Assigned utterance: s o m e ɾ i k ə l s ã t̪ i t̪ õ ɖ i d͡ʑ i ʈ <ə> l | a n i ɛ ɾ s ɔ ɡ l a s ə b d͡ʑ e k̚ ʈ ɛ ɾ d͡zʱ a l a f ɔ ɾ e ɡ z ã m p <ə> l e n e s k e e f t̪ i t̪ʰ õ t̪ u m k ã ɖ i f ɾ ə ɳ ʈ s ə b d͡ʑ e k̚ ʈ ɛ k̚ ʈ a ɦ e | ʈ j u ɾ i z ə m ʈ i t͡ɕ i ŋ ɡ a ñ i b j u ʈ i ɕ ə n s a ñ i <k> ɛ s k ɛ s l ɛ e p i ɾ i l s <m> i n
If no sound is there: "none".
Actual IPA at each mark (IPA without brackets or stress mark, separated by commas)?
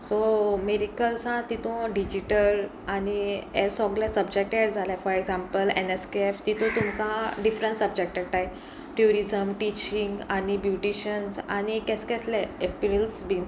ə, ə, k, b